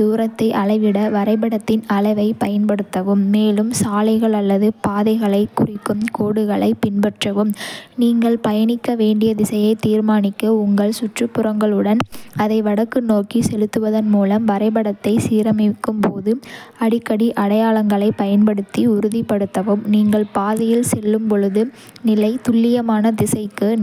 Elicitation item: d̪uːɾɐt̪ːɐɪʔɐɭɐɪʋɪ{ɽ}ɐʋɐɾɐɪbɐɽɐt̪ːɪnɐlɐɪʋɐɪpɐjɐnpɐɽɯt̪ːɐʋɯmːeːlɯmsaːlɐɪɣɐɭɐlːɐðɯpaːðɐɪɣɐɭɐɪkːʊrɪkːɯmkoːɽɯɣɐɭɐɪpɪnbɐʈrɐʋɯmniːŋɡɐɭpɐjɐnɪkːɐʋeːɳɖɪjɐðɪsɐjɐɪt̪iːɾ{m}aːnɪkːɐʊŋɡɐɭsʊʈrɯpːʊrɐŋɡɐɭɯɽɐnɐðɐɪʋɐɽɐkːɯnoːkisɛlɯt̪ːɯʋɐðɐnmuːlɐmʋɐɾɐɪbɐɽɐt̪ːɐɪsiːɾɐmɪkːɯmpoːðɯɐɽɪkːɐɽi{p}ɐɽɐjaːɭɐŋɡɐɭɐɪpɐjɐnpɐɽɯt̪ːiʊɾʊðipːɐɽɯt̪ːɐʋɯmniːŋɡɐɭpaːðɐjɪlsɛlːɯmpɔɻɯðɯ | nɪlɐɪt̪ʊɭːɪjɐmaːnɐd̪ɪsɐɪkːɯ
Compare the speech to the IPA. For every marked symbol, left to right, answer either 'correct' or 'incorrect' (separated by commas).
correct, correct, incorrect